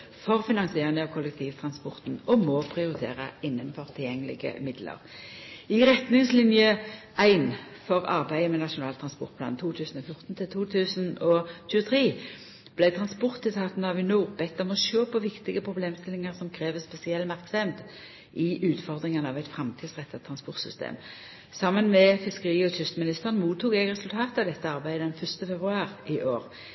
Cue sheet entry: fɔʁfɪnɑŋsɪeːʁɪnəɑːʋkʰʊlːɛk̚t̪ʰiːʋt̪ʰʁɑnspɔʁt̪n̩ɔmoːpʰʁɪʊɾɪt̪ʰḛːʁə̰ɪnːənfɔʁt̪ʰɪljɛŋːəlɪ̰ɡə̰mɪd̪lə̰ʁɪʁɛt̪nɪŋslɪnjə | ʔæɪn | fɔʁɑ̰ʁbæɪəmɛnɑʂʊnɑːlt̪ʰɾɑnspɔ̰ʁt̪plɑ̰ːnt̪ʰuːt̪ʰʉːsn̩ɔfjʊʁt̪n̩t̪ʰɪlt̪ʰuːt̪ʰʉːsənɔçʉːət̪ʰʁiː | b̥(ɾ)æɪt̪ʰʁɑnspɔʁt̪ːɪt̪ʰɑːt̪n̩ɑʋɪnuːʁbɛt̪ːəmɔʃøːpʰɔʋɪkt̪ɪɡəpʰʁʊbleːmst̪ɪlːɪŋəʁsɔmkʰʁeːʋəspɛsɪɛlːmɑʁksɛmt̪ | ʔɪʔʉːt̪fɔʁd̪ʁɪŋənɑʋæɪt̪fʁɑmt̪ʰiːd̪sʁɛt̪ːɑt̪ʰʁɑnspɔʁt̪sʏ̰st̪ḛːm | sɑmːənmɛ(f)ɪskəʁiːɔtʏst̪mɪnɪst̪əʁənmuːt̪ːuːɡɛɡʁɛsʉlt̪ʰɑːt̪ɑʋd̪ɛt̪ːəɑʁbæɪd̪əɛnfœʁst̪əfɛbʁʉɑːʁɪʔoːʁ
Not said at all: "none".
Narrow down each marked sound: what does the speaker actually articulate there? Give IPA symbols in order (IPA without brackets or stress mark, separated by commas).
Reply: l, f